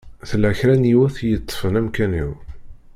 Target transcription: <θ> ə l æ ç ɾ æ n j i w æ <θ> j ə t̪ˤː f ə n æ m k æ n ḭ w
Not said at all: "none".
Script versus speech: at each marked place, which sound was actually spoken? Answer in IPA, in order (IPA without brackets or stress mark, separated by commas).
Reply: θ, θ